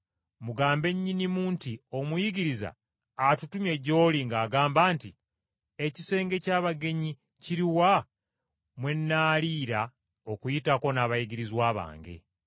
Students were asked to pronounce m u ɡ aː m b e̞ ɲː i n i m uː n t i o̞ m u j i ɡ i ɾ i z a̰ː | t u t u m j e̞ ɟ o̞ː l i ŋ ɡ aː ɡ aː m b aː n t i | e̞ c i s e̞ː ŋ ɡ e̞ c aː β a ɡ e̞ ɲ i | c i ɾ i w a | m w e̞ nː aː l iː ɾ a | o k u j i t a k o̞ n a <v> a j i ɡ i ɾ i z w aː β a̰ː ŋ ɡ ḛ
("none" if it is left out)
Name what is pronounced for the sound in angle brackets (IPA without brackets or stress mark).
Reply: β